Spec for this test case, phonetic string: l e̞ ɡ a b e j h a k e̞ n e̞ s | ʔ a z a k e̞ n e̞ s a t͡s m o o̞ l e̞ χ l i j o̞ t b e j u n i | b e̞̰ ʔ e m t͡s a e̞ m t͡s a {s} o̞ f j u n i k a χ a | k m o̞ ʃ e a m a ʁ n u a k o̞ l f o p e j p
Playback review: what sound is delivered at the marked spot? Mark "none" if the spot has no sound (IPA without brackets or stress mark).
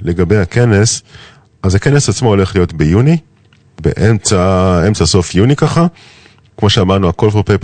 s